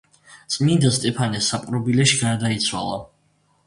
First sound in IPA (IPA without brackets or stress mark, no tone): t̪